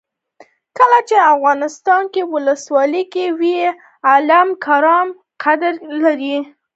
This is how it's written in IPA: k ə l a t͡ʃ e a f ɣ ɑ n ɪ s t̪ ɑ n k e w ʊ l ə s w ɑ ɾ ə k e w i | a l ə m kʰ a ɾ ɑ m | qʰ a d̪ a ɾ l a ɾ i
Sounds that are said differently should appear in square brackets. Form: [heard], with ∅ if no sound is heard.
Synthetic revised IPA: k ə l a t͡ʃ e a f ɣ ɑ n ɪ s t̪ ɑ n k e w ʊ l ə s w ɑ [l] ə k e w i | a l [a] m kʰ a ɾ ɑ m | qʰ a d̪ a ɾ l a ɾ i